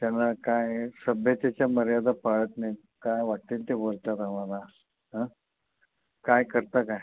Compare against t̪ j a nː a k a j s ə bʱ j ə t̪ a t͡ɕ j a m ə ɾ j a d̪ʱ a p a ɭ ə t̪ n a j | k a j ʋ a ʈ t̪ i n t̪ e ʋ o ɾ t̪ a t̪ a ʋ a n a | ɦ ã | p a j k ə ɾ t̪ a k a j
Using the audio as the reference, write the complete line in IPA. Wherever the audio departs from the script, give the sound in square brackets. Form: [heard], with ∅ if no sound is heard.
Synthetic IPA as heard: t̪ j a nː a k a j s ə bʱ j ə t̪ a t͡ɕ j a m ə ɾ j a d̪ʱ a p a ɭ ə t̪ n a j | k a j ʋ a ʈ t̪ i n t̪ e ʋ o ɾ t̪ a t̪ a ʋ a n a | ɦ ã | [k] a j k ə ɾ t̪ a k a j

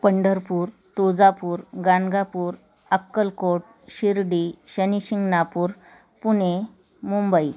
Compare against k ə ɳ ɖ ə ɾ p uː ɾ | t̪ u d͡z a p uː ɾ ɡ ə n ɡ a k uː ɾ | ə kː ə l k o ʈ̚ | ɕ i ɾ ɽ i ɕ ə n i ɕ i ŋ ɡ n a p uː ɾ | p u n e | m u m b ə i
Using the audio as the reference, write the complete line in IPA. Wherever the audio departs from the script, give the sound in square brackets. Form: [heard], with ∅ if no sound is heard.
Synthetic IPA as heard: [p] ə ɳ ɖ ə ɾ p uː ɾ | t̪ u d͡z a p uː ɾ ɡ [a] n ɡ a [p] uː ɾ | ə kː ə l k o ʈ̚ | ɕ i ɾ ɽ i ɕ ə n i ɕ i ŋ ɡ n a p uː ɾ | p u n e | m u m b ə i

